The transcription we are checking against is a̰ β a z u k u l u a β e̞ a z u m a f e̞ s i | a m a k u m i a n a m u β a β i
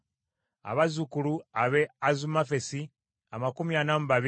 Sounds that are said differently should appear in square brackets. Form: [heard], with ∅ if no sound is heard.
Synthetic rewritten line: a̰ β a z u k u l u a β e̞ a z u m a f e̞ s i | a m a k u m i a n a m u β a β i

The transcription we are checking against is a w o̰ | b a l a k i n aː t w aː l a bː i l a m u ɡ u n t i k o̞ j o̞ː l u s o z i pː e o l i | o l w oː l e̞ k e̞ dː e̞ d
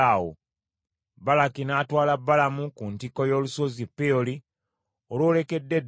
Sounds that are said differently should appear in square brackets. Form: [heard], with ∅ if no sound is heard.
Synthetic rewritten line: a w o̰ | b a l a k i n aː t w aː l a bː [a] l a m u [k] u n t i k o̞ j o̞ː l u s o z i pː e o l i | o l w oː l e̞ k e̞ dː e̞ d

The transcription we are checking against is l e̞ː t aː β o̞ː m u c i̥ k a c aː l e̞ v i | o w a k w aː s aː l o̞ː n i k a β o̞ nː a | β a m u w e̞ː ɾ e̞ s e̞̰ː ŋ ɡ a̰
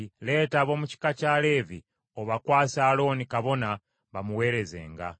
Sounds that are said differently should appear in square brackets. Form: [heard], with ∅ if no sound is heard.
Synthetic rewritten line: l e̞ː t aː β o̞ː m u c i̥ k a c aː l e̞ v i | o [β] a k w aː s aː l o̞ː n i k a β o̞ [n] a | β a m u w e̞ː ɾ e̞ [z] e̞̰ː ŋ ɡ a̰

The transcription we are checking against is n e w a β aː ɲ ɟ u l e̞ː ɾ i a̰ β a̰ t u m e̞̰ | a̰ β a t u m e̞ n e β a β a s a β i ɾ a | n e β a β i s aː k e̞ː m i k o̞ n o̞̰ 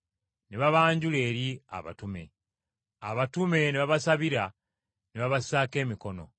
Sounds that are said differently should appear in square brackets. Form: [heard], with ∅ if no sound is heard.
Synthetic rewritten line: n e [β] a β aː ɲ ɟ u l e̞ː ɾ i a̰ β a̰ t u m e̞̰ | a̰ β a t u m e̞ n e β a β a s a β i ɾ a | n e β a β [a] s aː k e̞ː m i k o̞ n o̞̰

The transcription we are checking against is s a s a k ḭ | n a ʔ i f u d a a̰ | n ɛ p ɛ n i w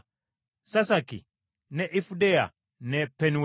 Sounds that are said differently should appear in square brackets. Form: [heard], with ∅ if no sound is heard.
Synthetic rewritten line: s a s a k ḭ | n [ɛ] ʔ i f u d [ɛ] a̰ | n ɛ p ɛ n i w

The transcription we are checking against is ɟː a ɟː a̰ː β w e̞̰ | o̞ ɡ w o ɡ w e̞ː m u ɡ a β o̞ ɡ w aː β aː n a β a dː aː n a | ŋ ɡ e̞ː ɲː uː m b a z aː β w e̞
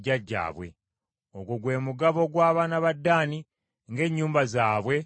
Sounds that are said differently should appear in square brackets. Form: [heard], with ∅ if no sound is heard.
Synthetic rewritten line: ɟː a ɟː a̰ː β w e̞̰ | o̞ ɡ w o ɡ w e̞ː m u ɡ a β o̞ ɡ w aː β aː n a β a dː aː n [i] | ŋ ɡ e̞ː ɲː uː m b a z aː β w e̞

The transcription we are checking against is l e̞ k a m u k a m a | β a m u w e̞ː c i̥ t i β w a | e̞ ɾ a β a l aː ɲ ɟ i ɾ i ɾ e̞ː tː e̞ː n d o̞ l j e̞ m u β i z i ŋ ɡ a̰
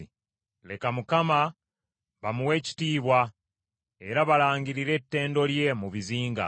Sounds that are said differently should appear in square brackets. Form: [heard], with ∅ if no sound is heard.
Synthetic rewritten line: l e̞ k a m u k a m a | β a m u w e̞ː c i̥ t [iː] β w a | e̞ ɾ a β a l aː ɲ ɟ i ɾ i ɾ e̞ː tː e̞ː n d o̞ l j e̞ m u β i z [iː] ŋ ɡ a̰

